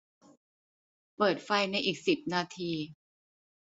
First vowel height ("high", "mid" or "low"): mid